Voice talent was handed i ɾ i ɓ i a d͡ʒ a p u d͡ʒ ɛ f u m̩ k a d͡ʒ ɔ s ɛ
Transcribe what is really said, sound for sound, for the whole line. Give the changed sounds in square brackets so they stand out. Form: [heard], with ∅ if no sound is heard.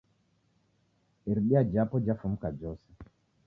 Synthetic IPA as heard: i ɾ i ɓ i a d͡ʒ a p [ɔ] d͡ʒ [a] f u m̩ k a d͡ʒ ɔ s ɛ